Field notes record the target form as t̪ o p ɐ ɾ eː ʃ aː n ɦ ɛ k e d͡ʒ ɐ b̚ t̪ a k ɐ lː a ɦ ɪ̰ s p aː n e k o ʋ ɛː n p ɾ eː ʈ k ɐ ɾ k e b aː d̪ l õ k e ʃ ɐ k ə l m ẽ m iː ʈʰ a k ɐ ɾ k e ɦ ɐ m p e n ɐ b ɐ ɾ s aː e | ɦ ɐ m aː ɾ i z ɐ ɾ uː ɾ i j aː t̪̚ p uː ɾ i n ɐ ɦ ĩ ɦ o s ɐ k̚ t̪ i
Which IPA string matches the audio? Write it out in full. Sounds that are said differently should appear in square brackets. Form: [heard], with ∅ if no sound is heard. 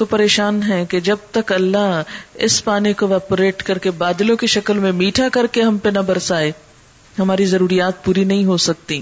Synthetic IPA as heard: t̪ o p ɐ ɾ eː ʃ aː n ɦ ɛ k e d͡ʒ ɐ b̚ t̪ [ɐ] k ɐ lː a ɦ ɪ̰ s p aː n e k o ʋ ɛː [∅] p ɾ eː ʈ k ɐ ɾ k e b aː d̪ l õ k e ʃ ɐ k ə l m ẽ m iː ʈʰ a k ɐ ɾ k e ɦ ɐ m p e n ɐ b ɐ ɾ s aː e | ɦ ɐ m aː ɾ i z ɐ ɾ uː ɾ i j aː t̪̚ p uː ɾ i n ɐ ɦ ĩ ɦ o s ɐ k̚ t̪ i